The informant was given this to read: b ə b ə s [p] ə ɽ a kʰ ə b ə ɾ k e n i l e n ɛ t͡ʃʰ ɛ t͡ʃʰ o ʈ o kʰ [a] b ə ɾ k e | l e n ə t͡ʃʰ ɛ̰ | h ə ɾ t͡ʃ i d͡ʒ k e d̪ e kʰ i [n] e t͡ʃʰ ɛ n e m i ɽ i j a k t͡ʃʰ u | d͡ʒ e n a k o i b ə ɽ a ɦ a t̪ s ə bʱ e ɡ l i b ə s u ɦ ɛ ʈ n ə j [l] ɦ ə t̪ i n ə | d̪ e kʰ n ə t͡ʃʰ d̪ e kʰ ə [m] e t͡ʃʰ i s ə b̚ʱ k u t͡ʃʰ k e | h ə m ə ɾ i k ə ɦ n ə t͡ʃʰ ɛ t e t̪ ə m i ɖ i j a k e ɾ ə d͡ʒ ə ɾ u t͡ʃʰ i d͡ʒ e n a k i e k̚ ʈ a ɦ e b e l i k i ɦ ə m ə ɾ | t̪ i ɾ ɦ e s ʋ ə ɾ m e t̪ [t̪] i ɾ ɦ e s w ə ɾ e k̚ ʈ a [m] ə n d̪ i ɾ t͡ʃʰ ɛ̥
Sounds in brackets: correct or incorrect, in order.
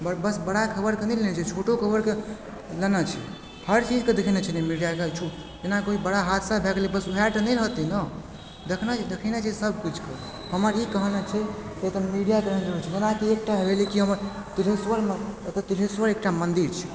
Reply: incorrect, incorrect, correct, correct, incorrect, correct, correct

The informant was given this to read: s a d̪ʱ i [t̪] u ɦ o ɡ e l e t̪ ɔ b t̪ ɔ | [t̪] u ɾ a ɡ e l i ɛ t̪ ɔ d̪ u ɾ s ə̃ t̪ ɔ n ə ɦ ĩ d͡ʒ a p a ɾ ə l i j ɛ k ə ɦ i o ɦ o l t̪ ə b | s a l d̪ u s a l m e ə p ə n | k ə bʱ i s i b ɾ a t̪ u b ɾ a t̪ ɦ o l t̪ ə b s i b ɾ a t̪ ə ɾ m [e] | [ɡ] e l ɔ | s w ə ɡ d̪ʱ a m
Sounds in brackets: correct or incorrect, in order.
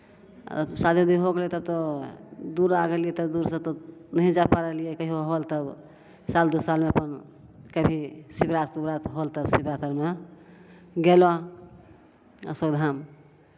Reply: incorrect, incorrect, correct, correct

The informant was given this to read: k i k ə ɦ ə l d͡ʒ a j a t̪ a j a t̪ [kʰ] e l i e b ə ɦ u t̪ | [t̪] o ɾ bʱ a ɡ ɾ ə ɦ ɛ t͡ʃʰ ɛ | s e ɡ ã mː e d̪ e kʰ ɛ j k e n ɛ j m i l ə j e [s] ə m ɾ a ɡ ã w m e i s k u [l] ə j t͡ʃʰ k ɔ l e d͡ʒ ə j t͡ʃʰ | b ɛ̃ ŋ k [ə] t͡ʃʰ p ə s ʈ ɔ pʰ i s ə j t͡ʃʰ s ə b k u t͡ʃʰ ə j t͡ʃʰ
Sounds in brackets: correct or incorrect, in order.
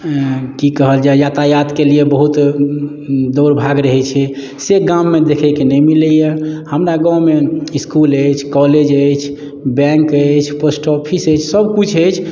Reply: incorrect, incorrect, incorrect, correct, correct

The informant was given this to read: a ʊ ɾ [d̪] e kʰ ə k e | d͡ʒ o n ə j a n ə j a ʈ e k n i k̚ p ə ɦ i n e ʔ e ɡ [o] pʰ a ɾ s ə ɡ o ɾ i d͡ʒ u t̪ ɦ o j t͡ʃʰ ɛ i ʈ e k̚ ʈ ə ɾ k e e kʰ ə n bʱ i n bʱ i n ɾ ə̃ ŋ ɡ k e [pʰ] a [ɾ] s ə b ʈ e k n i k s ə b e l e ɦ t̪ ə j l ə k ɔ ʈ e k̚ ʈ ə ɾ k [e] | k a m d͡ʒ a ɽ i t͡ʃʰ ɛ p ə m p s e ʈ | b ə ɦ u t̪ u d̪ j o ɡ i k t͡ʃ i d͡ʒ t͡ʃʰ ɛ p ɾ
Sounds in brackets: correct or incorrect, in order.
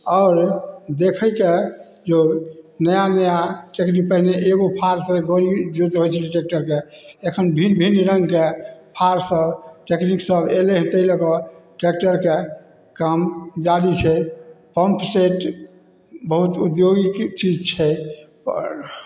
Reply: correct, correct, correct, correct, correct

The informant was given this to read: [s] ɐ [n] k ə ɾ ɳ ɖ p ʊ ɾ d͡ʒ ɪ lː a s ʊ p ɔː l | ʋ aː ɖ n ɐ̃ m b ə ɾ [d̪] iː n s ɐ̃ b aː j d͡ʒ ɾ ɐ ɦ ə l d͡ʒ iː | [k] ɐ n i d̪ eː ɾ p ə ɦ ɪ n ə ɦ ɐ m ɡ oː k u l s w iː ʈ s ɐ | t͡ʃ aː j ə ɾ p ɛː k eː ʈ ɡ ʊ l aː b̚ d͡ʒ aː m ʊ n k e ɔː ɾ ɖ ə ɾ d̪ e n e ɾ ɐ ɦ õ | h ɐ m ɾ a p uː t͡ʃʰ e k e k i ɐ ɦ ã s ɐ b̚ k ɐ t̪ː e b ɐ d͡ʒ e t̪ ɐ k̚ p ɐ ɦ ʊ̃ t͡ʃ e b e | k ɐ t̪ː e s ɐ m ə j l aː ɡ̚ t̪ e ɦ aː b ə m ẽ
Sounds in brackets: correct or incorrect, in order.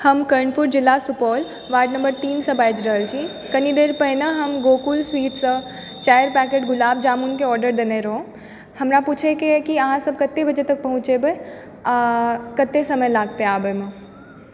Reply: incorrect, incorrect, incorrect, correct

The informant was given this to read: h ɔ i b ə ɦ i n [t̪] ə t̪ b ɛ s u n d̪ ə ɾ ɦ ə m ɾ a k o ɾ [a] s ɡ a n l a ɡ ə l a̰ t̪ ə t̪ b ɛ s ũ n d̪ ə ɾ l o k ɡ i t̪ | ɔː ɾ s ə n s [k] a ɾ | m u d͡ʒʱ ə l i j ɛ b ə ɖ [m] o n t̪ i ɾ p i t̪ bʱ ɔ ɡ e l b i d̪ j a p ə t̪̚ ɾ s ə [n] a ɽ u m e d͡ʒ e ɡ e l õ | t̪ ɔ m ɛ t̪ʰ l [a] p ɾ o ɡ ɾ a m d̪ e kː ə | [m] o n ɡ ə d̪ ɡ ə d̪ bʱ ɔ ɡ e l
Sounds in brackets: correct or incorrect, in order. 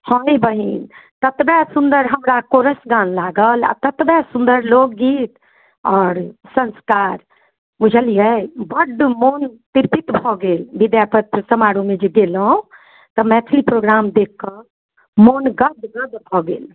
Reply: correct, incorrect, correct, correct, incorrect, incorrect, correct

